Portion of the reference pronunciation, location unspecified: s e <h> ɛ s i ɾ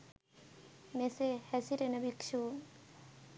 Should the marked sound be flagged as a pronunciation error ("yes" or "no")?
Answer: no